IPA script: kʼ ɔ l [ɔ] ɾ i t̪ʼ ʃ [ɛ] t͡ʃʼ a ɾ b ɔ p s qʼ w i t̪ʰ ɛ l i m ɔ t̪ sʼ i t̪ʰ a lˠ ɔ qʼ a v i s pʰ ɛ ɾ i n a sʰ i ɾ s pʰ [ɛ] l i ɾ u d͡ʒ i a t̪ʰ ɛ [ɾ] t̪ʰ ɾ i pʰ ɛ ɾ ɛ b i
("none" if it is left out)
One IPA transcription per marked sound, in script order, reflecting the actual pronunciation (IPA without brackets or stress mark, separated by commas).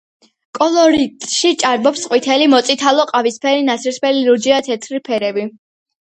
ɔ, i, ɛ, none